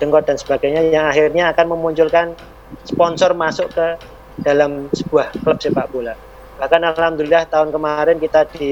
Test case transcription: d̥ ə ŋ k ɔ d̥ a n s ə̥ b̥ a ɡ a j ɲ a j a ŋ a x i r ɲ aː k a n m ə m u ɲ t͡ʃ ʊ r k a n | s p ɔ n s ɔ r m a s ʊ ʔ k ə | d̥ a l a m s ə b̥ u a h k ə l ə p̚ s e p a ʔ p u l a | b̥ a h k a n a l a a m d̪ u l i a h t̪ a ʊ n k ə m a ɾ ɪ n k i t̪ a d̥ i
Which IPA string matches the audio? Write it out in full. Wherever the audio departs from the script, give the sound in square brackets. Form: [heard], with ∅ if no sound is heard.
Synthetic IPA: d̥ ə ŋ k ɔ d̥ a n s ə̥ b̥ a ɡ a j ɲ a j a ŋ a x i r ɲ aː k a n m ə m u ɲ t͡ʃ ʊ [l] k a n | s p ɔ n s ɔ r m a s ʊ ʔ k ə | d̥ a l a m s ə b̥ u a h k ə l ə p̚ s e p a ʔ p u l a | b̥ a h k a n a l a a m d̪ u l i a h t̪ a ʊ n k ə m a ɾ ɪ n k i t̪ a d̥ i